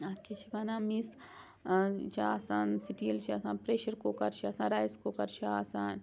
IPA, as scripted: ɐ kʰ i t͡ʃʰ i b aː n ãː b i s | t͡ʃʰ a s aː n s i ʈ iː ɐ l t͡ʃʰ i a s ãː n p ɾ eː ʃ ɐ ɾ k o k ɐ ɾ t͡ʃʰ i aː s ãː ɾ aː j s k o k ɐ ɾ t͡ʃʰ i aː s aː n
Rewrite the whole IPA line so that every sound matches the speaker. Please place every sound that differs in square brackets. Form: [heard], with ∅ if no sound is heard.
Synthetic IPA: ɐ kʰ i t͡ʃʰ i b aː n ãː [m] i s | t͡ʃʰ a s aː n s i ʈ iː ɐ l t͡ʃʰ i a s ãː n p ɾ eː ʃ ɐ ɾ k o k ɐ ɾ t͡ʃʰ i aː s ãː ɾ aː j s k o k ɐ ɾ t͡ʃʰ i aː s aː n